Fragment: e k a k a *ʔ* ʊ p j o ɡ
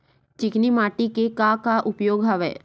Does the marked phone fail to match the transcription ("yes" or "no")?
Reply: no